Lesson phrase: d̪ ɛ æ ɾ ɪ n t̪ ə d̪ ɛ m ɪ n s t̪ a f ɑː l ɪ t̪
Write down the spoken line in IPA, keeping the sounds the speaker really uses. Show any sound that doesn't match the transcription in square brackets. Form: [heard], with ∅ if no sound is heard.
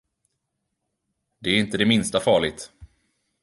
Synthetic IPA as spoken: d̪ ɛ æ ɾ ɪ n t̪ ə d̪ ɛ m ɪ n s t̪ a f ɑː [ɭ] ɪ t̪